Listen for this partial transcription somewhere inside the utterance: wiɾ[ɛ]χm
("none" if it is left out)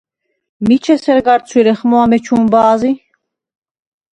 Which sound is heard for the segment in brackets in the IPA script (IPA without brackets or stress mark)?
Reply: ɛ